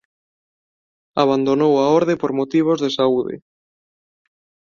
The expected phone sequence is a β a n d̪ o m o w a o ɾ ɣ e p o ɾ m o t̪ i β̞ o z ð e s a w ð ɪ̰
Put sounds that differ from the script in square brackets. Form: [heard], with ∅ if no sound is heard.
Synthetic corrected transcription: a β a n d̪ o [n] o w a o ɾ [ð] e p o ɾ m o t̪ i β̞ o z ð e s a [u] ð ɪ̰

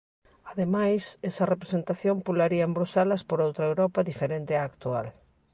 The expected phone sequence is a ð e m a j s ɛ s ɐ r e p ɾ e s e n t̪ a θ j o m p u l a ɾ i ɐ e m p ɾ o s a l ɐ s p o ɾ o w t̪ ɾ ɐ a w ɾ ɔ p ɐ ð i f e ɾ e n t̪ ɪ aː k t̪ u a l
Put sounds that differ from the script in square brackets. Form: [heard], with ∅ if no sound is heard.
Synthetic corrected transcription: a ð e m a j s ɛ s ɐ r e p ɾ e s e n t̪ a θ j o m p u l a ɾ i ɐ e m [b] ɾ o s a l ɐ s p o ɾ o w t̪ ɾ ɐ [e] w ɾ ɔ p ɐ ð i f e ɾ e n t̪ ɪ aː k t̪ u a l

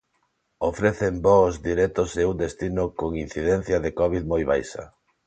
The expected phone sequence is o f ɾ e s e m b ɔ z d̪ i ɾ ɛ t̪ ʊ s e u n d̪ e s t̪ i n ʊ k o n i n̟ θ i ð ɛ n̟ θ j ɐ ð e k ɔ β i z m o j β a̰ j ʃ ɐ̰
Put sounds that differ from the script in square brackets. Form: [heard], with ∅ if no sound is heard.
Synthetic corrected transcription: o f ɾ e [θ] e m b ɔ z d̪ i ɾ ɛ t̪ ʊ s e u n d̪ e s t̪ i n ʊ k o [ŋ] i n̟ θ i ð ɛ n̟ θ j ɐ ð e k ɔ β i [ð] m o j β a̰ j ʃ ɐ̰

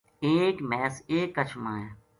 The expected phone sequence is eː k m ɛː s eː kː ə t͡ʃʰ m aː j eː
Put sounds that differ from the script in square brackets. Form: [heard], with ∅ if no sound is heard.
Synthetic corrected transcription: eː k m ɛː s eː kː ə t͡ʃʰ m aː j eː

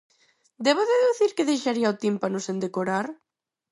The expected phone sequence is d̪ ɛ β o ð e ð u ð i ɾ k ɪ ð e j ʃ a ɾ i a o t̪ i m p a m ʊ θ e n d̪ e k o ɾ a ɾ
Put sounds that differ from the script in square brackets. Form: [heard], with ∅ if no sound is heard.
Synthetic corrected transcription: d̪ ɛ β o ð e ð u [θ] i ɾ k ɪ ð e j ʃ a ɾ i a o t̪ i m p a [n] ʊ [s] e n d̪ e k o ɾ a ɾ

